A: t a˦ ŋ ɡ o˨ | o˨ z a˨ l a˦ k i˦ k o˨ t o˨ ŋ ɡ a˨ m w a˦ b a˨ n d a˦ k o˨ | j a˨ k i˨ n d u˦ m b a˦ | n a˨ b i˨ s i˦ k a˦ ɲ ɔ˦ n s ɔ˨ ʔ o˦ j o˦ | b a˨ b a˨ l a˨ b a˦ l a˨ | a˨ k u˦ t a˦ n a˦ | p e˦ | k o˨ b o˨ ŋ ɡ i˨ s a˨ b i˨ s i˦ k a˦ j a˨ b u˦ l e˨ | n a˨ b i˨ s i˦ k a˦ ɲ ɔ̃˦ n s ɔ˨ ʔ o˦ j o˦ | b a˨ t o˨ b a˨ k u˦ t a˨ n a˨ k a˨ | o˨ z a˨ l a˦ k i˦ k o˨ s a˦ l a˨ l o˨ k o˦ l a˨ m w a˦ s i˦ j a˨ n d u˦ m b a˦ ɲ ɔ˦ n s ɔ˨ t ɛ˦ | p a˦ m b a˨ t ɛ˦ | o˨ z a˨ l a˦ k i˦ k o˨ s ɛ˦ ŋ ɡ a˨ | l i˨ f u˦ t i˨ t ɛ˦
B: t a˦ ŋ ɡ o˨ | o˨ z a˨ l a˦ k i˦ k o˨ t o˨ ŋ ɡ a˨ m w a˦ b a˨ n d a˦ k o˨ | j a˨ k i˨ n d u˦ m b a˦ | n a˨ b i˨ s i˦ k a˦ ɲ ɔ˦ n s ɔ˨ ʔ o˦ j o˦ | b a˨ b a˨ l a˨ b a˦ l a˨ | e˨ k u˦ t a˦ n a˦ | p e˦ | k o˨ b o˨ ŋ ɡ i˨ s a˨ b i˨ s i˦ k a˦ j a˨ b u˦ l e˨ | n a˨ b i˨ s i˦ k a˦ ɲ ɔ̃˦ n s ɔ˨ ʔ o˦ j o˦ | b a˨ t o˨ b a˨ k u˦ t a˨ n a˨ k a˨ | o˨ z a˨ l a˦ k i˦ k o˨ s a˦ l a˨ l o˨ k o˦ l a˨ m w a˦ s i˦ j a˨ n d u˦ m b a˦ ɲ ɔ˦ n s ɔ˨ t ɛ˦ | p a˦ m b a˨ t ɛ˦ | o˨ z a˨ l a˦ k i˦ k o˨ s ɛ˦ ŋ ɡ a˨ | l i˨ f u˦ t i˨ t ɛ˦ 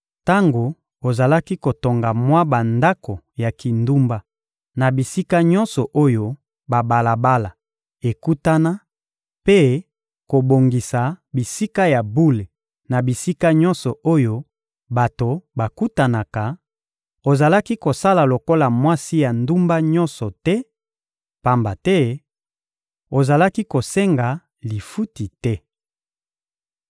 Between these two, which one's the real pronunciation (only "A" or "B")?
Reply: B